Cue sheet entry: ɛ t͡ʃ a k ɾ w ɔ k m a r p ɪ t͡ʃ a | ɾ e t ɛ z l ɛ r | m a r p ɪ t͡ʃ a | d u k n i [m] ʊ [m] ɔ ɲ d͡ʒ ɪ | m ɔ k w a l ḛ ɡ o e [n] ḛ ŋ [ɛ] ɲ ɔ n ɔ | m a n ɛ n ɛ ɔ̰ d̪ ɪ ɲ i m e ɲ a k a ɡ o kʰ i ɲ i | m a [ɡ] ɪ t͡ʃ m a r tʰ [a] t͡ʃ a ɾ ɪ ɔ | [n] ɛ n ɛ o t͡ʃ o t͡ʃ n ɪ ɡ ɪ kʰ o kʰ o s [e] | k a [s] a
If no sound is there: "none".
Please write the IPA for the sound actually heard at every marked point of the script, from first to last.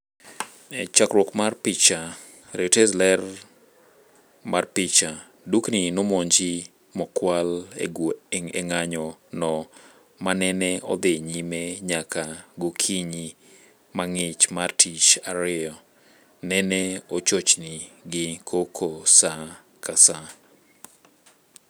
n, m, ŋ, a, ŋ, i, n, a, s

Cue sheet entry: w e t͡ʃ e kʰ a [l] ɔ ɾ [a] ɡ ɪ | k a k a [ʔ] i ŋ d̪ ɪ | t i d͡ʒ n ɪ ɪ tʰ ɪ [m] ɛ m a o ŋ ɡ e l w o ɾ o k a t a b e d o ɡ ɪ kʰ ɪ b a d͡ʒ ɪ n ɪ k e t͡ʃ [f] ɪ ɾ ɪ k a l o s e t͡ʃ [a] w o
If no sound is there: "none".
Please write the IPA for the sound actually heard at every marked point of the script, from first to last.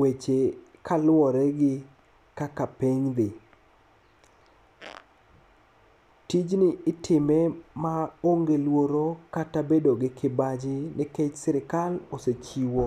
l, ɛ, p, m, s, i

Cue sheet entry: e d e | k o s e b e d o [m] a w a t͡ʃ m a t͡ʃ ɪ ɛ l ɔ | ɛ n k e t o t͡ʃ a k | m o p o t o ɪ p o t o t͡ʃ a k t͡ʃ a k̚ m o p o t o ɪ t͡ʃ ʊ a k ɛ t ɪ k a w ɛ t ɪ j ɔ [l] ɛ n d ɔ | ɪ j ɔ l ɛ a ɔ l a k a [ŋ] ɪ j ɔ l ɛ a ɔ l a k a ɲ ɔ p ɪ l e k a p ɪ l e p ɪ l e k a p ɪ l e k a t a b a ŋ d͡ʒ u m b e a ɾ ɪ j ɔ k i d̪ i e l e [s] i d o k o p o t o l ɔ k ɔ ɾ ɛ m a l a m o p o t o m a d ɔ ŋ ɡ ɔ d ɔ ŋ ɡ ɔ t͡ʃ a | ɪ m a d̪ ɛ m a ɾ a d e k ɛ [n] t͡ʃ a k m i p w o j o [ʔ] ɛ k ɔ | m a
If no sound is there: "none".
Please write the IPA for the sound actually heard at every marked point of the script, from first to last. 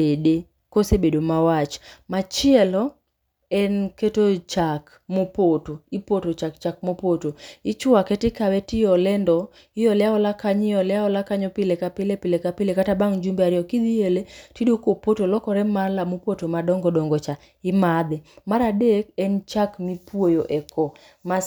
m, l, ɲ, t, n, ʔ

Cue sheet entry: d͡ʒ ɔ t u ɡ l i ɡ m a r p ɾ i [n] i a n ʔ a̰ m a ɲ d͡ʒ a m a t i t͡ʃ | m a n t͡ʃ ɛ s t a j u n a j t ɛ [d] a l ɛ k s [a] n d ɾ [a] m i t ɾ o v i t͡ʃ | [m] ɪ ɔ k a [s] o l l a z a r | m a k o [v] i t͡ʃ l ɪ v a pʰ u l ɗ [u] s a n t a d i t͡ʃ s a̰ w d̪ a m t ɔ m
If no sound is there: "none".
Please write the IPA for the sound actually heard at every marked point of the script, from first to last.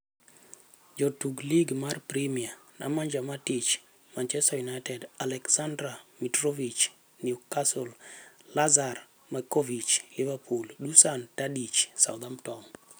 m, d, a, a, n, s, v, u

